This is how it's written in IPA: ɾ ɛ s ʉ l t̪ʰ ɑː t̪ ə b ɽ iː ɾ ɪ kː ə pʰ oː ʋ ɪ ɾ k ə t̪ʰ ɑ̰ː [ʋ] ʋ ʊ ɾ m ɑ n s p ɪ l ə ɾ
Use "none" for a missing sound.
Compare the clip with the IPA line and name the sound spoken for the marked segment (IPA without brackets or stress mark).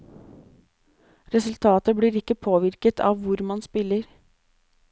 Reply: ʋ